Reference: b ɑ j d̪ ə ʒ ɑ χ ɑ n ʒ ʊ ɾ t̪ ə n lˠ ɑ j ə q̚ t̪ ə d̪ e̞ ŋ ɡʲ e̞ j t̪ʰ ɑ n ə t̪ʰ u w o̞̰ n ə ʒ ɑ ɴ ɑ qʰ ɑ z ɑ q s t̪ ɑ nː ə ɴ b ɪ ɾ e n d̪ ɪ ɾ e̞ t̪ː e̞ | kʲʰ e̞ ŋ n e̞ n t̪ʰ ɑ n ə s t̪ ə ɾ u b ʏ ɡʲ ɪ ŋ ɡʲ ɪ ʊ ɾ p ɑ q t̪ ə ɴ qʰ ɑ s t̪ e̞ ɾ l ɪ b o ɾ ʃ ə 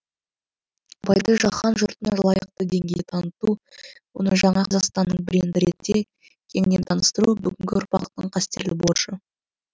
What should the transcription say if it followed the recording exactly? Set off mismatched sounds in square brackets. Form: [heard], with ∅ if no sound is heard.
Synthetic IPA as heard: b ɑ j d̪ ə ʒ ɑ χ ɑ n ʒ ʊ ɾ t̪ ə n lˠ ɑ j ə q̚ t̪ ə d̪ e̞ ŋ ɡʲ e̞ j t̪ʰ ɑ n ə [t̪] u w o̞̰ n ə ʒ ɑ ɴ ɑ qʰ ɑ z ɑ q s t̪ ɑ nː ə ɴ b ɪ ɾ e n d̪ ɪ ɾ e̞ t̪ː e̞ | kʲʰ e̞ ŋ n e̞ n t̪ʰ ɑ n ə s t̪ ə ɾ u b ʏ ɡʲ ɪ ŋ ɡʲ ɪ ʊ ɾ p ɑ q t̪ ə ɴ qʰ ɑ s t̪ e̞ ɾ l ɪ b o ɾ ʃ ə